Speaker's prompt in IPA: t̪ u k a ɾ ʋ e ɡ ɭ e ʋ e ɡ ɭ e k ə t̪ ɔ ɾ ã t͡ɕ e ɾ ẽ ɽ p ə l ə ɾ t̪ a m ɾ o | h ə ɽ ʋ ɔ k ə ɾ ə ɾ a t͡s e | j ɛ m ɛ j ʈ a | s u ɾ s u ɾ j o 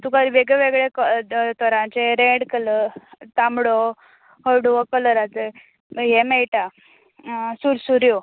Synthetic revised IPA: t̪ u k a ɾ ʋ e ɡ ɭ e ʋ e ɡ ɭ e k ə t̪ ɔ ɾ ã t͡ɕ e ɾ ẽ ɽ k ə l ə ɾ t̪ a m ɽ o | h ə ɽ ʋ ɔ k ə l ə ɾ a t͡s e | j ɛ m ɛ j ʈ a | s u ɾ s u ɾ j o

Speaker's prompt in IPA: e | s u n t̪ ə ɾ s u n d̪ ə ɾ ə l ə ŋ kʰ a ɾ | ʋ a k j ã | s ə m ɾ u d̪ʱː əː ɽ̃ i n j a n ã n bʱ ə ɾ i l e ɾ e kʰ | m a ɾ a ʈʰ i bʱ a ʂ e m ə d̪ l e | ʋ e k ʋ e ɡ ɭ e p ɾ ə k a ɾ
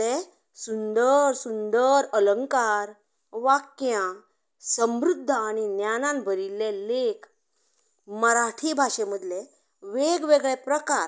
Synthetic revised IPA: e | s u n d̪ ə ɾ s u n d̪ ə ɾ ə l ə ŋ k a ɾ | ʋ a k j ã | s ə m ɾ u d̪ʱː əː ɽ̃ i n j a n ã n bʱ ə ɾ i l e l e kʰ | m ə ɾ a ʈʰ i bʱ a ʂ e m ə d̪ l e | ʋ e ɡ ʋ e ɡ ɭ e p ɾ ə k a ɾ

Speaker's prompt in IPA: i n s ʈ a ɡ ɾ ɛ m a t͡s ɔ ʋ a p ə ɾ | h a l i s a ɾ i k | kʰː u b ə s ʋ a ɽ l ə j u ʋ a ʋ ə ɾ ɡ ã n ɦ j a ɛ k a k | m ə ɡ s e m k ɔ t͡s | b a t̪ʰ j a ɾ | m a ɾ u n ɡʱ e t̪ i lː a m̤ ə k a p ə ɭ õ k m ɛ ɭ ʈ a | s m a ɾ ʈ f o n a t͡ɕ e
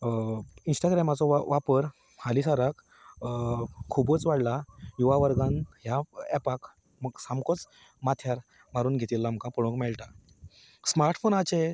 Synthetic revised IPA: i n s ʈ a ɡ ɾ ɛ m a t͡s ɔ ʋ a p ə ɾ | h a l i s a ɾ a k | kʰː u b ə t͡s ʋ a ɽ l a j u ʋ a ʋ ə ɾ ɡ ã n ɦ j a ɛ p a k | m ə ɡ s a m k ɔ t͡s | m a t̪ʰ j a ɾ | m a ɾ uː n ɡʱ e t̪ i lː a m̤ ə k a p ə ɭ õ k m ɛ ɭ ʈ a | s m a ɾ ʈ f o n a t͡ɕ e

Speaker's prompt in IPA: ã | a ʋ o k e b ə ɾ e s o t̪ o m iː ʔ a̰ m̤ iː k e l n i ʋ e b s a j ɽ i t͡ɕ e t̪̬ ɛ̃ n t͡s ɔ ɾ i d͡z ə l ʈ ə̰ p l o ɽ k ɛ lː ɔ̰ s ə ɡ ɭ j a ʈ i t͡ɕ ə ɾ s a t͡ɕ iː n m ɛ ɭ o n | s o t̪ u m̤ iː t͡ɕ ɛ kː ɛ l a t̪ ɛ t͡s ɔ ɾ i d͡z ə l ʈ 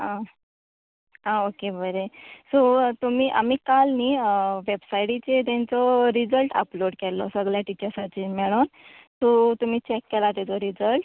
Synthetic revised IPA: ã | a o k e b ə ɾ e s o t̪ u m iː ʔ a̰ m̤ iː k a l n i ʋ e b s a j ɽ i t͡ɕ e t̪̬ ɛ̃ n t͡s ɔ ɾ i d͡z ə l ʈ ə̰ p l o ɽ k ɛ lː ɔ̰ s ə ɡ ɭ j a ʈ i t͡ɕ ə ɾ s a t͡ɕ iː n m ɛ ɭ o n | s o t̪ u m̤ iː t͡ɕ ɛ kː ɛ l a t̪ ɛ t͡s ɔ ɾ i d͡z ə l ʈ

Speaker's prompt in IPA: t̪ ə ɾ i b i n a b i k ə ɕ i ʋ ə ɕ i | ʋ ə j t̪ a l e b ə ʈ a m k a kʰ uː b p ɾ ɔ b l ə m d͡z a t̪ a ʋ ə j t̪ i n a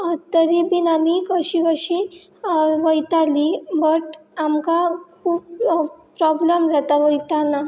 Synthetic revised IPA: t̪ ə ɾ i b i n a m i k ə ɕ i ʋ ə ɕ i | ʋ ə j t̪ a l i b ə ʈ a m k a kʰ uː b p ɾ ɔ b l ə m d͡z a t̪ a ʋ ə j t̪ a n a

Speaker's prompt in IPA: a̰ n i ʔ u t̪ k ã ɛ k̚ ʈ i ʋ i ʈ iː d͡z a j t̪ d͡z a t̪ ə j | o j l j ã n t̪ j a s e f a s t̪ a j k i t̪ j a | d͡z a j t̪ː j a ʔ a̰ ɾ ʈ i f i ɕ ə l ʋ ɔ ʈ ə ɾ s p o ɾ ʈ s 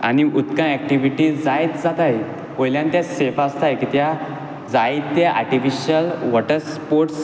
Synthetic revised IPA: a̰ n i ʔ u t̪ k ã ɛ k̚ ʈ i ʋ i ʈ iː d͡z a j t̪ d͡z a t̪ a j | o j l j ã n t̪ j a s e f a s t̪ a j k i t̪ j a | d͡z a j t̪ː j a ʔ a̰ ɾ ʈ i f i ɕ ə l ʋ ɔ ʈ ə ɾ s p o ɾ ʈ s

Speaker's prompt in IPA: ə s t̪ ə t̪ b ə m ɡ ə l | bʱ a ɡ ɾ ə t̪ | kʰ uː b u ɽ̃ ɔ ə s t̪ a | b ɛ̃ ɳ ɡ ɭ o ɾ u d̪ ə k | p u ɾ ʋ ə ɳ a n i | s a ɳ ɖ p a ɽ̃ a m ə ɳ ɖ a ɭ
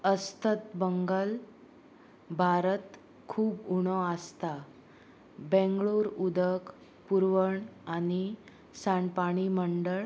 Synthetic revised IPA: ə s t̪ ə t̪ b ə ŋ ɡ ə l | bʱ a ɾ ə t̪ | kʰ uː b u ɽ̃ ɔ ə s t̪ a | b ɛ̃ ŋ ɡ ɭ o ɾ u d̪ ə k | p u ɾ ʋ ə ɳ a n i | s a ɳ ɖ p a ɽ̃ i m ə ɳ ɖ ə ɭ

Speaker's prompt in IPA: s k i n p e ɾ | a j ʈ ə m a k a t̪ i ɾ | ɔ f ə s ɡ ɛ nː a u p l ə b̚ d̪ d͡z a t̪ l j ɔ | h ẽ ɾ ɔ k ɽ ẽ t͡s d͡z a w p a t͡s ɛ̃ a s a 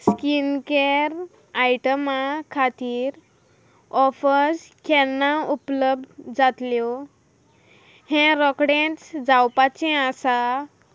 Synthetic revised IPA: s k i n k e ɾ | a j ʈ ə m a kʰ a t̪ iː ɾ | ɔ f ə s k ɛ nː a u p l ə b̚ d̪ d͡z a t̪ l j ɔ | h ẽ ɾ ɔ k ɽ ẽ t͡s d͡z a w p a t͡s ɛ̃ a s a

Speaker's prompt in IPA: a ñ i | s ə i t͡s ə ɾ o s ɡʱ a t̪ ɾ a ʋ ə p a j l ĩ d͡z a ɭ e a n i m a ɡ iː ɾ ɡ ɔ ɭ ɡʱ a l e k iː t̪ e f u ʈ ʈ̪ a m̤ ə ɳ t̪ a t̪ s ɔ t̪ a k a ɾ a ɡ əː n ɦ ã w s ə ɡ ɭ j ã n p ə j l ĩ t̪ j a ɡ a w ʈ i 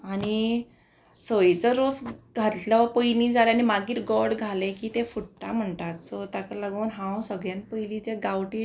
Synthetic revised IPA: a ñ i | s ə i t͡s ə ɾ o s ɡʱ a t̪ l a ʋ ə p ə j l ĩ d͡z a l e a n i m a ɡ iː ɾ ɡ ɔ ɽ ɡʱ a l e k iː t̪ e f u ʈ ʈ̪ a m̤ ə ɳ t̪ a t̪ s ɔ t̪ a k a l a ɡ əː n ɦ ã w s ə ɡ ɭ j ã n p ə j l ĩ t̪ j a ɡ a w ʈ i

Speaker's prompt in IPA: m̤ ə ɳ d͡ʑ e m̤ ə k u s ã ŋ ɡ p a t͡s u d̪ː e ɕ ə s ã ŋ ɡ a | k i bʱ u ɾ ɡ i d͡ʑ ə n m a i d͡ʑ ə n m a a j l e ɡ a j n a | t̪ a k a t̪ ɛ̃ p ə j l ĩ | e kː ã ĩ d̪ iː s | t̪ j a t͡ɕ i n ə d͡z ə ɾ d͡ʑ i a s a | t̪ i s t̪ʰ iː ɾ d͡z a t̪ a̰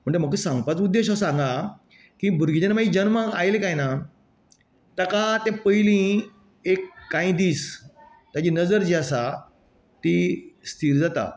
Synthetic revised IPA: m̤ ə ɳ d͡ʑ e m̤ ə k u s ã ŋ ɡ p a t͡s u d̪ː e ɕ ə s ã ŋ ɡ a | k i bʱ u ɾ ɡ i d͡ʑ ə n m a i d͡ʑ ə n m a a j l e k a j n a | t̪ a k a t̪ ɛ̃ p ə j l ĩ | e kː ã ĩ d̪ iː s | t̪ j a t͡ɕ i n ə d͡z ə ɾ d͡ʑ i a s a | t̪ i s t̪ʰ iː ɾ d͡z a t̪ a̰

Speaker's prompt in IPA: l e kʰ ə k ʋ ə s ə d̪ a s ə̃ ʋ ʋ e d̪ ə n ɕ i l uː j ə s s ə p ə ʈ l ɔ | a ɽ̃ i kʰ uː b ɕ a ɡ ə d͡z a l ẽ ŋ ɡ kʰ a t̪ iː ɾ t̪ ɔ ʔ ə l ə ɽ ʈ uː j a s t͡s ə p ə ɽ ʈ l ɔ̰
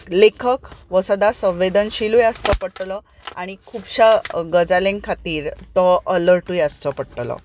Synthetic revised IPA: l e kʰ ə k ʋ ə s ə d̪ a s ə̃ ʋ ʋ e d̪ ə n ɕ i l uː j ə s t͡s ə p ə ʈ l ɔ | a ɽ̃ i kʰ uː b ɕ a ɡ ə d͡z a l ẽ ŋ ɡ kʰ a t̪ iː ɾ t̪ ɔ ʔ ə l ə ɾ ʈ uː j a s t͡s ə p ə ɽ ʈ l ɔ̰

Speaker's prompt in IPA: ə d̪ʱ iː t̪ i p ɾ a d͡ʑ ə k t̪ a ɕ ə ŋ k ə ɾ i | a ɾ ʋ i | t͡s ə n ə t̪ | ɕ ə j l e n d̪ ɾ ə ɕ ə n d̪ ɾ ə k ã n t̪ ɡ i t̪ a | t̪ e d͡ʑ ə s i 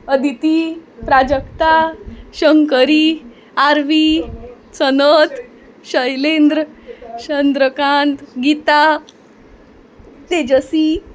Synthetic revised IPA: ə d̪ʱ i t̪ i p ɾ a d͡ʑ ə k t̪ a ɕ ə ŋ k ə ɾ i | a ɾ ʋ i | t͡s ə n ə t̪ | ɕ ə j l e n d̪ ɾ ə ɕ ə n d̪ ɾ ə k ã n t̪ ɡ i t̪ a | t̪ e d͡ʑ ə s i

